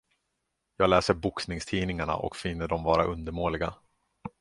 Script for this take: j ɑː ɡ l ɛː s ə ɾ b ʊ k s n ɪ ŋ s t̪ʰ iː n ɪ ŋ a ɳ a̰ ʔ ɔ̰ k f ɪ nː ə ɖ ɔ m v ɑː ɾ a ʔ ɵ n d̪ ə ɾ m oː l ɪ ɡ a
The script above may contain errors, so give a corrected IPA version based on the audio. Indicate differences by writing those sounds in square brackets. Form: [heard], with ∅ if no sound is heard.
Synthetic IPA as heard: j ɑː ɡ l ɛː s ə ɾ b ʊ k s n ɪ ŋ s t̪ʰ iː n ɪ ŋ a ɳ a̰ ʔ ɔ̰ k f ɪ nː ə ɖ ɔ m v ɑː ɾ a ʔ ɵ n d̪ ə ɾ m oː l ɪ ɡ a